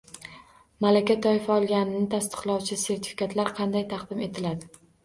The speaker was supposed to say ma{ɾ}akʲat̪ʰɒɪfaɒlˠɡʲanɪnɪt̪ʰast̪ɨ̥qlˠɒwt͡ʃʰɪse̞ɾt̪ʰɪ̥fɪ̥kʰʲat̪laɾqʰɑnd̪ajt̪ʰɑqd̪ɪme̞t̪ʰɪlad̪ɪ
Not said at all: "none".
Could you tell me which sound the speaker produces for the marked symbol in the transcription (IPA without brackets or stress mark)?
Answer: l